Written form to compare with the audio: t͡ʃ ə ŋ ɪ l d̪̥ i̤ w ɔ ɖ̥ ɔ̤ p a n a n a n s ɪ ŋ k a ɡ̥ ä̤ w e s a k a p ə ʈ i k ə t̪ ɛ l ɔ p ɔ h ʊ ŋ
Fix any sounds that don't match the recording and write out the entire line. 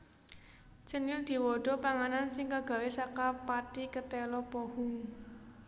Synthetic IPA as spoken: t͡ʃ ə n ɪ l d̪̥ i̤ w ɔ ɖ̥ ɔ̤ p a ŋ a n a n s ɪ ŋ k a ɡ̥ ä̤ w e s a k a p a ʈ i k ə t̪ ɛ l ɔ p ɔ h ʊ ŋ